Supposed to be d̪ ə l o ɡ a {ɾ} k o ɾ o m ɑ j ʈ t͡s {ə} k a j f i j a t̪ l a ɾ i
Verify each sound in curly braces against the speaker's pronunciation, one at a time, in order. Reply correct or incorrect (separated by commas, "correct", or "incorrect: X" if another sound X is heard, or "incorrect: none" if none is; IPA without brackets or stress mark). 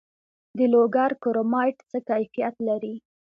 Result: correct, correct